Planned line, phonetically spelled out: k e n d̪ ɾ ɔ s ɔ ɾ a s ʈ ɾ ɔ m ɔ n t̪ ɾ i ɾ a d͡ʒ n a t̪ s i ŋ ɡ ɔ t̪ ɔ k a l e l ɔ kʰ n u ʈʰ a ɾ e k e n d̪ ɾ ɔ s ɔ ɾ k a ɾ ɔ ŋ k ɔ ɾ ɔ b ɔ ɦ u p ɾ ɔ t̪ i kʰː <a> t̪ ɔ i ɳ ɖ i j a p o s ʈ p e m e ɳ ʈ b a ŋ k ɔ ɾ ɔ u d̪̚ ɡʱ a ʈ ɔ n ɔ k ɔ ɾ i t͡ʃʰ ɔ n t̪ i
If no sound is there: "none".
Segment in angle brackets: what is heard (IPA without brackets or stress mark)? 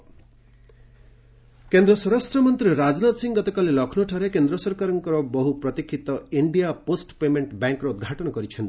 i